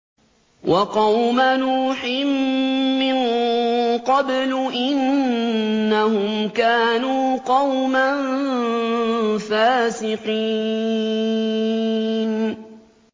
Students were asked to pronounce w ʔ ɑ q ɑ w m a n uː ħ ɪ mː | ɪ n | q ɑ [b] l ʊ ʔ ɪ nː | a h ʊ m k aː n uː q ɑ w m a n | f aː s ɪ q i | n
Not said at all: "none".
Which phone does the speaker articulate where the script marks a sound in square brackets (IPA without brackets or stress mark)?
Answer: b